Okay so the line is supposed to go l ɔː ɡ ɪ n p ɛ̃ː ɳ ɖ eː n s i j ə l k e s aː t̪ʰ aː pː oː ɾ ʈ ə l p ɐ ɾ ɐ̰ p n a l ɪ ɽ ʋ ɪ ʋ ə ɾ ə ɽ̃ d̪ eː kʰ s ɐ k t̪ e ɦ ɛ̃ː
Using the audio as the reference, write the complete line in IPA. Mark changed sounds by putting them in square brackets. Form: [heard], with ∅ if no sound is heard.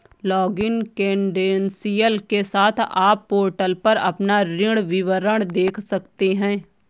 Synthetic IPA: l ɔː ɡ ɪ n [k] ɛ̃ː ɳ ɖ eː n s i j ə l k e s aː t̪ʰ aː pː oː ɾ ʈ ə l p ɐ ɾ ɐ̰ p n a [ɾ] ɪ ɽ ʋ ɪ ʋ ə ɾ ə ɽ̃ d̪ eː kʰ s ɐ k t̪ e ɦ ɛ̃ː